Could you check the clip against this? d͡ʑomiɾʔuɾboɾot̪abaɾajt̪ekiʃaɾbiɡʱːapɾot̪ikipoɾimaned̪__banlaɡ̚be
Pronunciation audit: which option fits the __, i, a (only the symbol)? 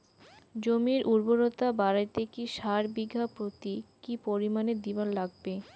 i